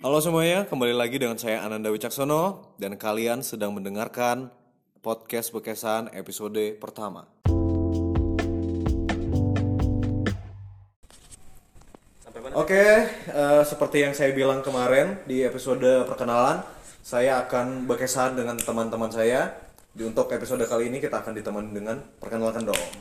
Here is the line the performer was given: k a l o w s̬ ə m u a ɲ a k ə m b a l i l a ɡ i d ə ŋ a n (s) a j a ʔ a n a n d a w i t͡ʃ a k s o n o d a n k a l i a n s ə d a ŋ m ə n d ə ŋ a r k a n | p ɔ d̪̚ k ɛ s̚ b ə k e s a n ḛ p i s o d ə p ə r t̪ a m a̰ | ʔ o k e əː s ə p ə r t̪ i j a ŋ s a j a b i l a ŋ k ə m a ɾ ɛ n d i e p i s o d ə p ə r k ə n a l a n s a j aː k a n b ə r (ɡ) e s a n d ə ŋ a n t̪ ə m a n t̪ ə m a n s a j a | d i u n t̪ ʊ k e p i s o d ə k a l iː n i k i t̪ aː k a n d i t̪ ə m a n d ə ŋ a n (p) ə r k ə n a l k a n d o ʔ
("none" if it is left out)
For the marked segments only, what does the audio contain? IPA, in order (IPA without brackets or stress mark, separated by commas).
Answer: s, k, p